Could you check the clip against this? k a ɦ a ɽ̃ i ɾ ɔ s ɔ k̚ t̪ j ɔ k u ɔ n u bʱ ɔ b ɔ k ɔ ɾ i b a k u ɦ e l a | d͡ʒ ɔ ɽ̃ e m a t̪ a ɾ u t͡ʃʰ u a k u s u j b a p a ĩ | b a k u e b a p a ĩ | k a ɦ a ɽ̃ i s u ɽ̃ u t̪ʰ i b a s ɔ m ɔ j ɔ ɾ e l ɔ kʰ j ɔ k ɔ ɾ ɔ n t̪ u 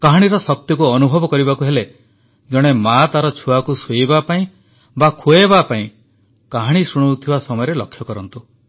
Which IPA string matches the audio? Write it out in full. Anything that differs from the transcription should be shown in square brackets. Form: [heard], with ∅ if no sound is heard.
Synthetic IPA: k a ɦ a ɽ̃ i ɾ ɔ s ɔ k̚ t̪ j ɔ k u ɔ n u bʱ ɔ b ɔ k ɔ ɾ i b a k u ɦ e l [e] | d͡ʒ ɔ ɽ̃ e m a t̪ a ɾ [ɔ] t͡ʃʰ u a k u s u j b a p a ĩ | b a [kʰ] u e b a p a ĩ | k a ɦ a ɽ̃ i s u ɽ̃ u t̪ʰ i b a s ɔ m ɔ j ɔ ɾ e l ɔ kʰ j ɔ k ɔ ɾ ɔ n t̪ u